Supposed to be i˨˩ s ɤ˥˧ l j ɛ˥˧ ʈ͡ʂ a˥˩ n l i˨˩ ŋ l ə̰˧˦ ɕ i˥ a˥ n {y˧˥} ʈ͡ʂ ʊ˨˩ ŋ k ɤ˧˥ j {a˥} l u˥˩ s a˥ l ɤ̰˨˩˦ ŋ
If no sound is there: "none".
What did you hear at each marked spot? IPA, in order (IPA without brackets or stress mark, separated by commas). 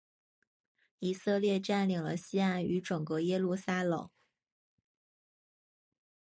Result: y˧˥, ɛ˥